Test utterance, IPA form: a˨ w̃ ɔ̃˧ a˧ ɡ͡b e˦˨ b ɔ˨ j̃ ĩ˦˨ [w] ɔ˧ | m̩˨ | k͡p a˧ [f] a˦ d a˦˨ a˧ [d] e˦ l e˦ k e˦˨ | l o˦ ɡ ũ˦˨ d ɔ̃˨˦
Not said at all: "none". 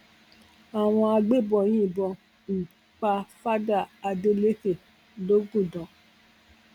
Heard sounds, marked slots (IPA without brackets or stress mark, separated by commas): b, f, d